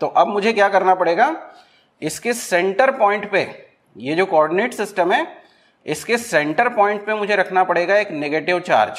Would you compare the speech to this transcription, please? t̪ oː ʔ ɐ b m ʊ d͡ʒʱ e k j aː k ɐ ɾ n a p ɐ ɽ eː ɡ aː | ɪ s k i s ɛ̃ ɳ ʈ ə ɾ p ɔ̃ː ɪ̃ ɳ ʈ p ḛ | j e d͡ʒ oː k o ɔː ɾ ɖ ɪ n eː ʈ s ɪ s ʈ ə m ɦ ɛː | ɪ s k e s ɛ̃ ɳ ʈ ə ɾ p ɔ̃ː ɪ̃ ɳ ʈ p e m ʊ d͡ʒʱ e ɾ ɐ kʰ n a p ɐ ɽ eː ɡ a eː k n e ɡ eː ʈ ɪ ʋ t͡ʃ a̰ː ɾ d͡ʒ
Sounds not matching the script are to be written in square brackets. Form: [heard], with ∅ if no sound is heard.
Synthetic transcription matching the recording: t̪ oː ʔ ɐ b m ʊ d͡ʒʱ e k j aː k ɐ ɾ n a p ɐ ɽ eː ɡ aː | ɪ s k [e] s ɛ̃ ɳ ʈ ə ɾ p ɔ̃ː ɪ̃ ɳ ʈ p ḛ | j e d͡ʒ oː k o ɔː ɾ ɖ ɪ n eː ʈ s ɪ s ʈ ə m ɦ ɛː | ɪ s k e s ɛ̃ ɳ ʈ ə ɾ p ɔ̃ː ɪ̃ ɳ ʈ p e m ʊ d͡ʒʱ e ɾ ɐ kʰ n a p ɐ ɽ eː ɡ a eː k n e ɡ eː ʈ ɪ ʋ t͡ʃ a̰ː ɾ d͡ʒ